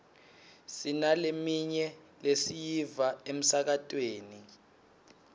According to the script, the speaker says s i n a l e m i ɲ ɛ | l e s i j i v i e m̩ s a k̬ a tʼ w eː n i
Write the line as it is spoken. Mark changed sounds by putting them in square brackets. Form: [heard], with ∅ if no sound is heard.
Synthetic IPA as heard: s i n a l e m i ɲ ɛ | l e s i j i v [a] e m̩ s a k̬ a tʼ w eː n i